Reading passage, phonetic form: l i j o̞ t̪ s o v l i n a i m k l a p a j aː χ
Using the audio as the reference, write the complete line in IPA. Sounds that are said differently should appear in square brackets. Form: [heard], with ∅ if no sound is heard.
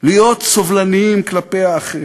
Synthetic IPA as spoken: l i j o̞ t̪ s o v l [a] n [i] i m k l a p [e] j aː χ